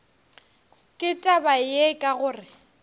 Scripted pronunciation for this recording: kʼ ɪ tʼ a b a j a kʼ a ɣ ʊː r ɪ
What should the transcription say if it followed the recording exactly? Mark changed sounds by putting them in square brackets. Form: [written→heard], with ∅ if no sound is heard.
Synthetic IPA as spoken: kʼ ɪ tʼ a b a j [a→e] kʼ a ɣ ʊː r ɪ